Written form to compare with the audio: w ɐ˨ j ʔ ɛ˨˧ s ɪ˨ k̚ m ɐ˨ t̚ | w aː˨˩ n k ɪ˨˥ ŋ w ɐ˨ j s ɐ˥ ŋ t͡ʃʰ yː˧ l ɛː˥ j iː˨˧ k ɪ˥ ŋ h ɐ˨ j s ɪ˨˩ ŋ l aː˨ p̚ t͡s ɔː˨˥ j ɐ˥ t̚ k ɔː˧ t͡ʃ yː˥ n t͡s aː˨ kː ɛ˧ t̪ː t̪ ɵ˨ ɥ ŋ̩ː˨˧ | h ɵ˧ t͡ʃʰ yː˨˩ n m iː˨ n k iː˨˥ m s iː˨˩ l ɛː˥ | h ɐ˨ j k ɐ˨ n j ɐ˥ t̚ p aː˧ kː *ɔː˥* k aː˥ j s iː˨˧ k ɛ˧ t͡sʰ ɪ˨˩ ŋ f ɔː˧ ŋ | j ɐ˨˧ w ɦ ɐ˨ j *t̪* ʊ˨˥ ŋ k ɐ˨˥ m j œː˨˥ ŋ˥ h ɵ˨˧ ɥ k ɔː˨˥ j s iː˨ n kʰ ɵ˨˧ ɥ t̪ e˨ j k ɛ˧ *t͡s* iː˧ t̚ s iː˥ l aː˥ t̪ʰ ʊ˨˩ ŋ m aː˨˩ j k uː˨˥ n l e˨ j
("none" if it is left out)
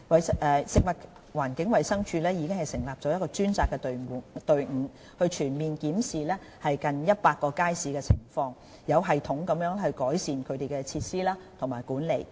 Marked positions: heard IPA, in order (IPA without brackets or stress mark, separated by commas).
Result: ɔː˧, t̪ʰ, t͡sʰ